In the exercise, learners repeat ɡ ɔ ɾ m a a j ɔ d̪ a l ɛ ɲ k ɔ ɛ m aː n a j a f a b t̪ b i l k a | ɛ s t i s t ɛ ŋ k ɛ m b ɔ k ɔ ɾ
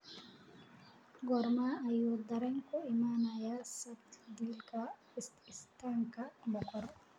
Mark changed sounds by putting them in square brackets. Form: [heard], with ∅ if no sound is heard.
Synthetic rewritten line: ɡ ɔ ɾ m a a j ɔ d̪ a [ɾ] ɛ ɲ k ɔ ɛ m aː n a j a [s] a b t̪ [d] i l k a | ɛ s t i s t [a] ŋ k [a] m b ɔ k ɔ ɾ